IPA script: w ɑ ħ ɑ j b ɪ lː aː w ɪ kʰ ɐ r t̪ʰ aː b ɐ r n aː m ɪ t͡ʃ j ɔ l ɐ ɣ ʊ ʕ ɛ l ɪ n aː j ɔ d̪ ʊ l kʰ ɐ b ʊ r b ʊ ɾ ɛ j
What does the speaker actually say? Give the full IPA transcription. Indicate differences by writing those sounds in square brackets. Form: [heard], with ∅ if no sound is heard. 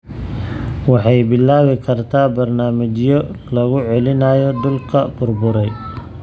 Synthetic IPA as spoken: w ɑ ħ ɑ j b ɪ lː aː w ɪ kʰ ɐ r t̪ʰ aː b ɐ r n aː m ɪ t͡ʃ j ɔ l ɐ ɣ ʊ ʕ ɛ l ɪ n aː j ɔ d̪ ʊ l kʰ ɐ b ʊ r b ʊ ɾ ɛ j